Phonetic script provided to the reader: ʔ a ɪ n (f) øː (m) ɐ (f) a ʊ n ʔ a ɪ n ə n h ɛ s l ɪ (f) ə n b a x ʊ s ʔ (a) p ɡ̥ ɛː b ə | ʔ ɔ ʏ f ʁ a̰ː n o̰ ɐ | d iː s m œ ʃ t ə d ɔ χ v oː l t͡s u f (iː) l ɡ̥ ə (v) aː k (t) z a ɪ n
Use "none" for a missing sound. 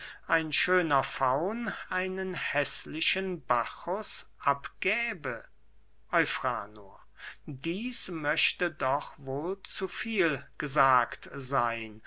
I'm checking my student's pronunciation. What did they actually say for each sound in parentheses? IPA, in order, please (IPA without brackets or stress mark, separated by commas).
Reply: ʃ, n, f, ʃ, a, iː, z, t